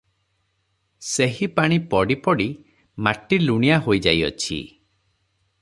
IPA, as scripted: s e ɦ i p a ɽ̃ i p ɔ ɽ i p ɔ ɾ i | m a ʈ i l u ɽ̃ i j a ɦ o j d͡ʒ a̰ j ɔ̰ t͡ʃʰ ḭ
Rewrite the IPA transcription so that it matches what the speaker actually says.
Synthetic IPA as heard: s e ɦ i p a ɽ̃ i p ɔ ɽ i p ɔ ɽ i | m a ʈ i l u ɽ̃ i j a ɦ o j d͡ʒ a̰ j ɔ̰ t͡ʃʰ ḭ